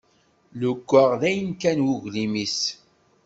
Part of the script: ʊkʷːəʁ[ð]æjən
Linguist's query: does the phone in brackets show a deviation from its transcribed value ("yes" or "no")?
no